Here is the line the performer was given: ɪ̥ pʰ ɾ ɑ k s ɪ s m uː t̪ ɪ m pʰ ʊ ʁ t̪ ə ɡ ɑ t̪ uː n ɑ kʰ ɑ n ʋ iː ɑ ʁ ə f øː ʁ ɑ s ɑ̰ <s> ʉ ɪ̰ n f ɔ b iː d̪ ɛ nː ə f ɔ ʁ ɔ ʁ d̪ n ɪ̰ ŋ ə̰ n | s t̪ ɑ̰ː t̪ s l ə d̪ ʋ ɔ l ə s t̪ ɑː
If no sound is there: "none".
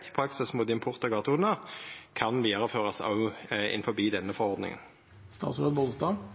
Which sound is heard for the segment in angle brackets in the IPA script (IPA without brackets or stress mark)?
none